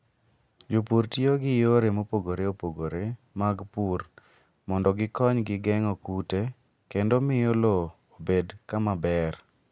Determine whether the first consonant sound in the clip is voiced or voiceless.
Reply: voiced